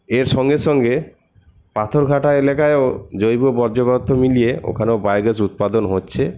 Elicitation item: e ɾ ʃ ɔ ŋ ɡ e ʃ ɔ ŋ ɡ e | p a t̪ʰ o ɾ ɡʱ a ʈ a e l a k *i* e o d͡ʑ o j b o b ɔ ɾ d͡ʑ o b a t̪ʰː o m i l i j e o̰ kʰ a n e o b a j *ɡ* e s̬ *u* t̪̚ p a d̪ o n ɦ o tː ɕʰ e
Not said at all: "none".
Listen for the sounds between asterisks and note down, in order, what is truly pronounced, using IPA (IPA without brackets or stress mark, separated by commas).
a, ɡ, u